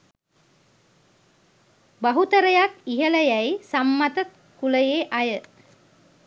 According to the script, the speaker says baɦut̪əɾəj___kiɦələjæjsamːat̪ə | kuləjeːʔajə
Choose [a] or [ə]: a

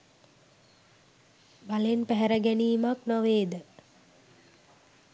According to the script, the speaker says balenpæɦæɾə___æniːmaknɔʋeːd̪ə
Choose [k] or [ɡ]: ɡ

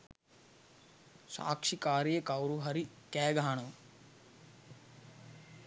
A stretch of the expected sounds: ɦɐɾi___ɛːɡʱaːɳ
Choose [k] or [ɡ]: k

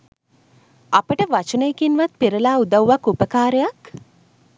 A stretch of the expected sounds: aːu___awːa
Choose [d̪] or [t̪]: d̪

